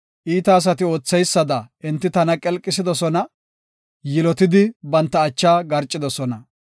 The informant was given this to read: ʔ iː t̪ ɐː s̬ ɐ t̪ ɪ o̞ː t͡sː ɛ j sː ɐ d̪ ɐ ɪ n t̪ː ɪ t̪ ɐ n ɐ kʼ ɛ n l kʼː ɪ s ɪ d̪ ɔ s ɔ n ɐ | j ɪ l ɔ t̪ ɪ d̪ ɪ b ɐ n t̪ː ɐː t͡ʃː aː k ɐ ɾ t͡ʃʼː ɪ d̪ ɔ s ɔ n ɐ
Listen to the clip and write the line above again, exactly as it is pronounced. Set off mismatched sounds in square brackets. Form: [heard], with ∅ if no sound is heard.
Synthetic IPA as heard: ʔ iː t̪ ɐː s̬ ɐ t̪ ɪ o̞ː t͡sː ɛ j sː ɐ d̪ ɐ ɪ n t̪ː ɪ t̪ ɐ n ɐ kʼ ɛ [∅] l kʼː ɪ s ɪ d̪ ɔ s ɔ n ɐ | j ɪ l ɔ t̪ ɪ d̪ ɪ b ɐ n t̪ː ɐː t͡ʃː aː [ɡ] ɐ ɾ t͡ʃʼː ɪ d̪ ɔ s ɔ n ɐ